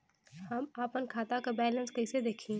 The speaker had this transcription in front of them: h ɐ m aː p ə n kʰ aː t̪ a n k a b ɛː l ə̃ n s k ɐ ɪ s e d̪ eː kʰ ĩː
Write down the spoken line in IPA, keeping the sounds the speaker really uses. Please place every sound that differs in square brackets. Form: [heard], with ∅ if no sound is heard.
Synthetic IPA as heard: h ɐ m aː p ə n kʰ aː t̪ a [∅] k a b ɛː l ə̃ n s k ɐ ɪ s e d̪ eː kʰ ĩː